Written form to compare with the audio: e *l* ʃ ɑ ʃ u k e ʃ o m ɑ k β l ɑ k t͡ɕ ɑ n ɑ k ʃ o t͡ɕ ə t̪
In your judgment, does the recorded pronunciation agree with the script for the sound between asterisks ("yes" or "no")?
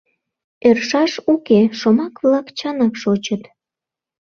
no